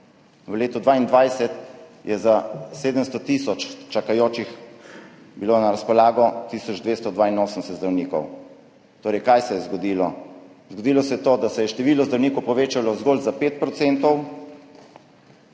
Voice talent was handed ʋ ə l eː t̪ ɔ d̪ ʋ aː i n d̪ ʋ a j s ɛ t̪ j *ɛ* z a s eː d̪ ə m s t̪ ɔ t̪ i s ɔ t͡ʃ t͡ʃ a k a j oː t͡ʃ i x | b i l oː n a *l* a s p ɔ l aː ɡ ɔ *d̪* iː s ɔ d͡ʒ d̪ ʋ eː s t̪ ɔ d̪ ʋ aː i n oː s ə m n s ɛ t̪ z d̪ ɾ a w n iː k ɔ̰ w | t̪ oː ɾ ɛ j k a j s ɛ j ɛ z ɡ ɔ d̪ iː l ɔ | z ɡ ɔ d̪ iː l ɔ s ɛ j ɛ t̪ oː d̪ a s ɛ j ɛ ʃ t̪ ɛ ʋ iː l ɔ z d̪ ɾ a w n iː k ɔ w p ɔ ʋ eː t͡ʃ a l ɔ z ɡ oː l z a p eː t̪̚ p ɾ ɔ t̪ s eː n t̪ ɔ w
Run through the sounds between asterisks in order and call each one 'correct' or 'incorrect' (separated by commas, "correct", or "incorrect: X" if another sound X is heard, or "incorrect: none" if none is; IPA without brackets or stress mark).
correct, incorrect: ɾ, incorrect: t̪